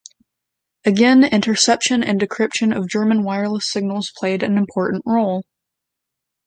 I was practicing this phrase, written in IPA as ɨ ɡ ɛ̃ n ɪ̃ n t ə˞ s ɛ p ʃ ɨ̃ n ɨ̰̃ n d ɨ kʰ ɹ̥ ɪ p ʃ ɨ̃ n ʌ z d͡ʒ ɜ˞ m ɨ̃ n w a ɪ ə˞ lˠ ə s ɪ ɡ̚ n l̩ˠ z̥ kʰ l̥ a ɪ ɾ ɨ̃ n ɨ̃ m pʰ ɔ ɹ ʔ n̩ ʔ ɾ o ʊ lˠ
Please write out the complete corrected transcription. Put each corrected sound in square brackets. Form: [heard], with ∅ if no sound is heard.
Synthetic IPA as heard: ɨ ɡ ɛ̃ n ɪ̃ n t ə˞ s ɛ p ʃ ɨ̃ n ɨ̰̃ n d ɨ kʰ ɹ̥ ɪ p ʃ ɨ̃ n ʌ [v] d͡ʒ ɜ˞ m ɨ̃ n w a ɪ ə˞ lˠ ə s ɪ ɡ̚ n l̩ˠ z̥ [pʰ] l̥ [e] ɪ ɾ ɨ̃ n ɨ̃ m pʰ ɔ ɹ ʔ n̩ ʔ [ɹ] o ʊ lˠ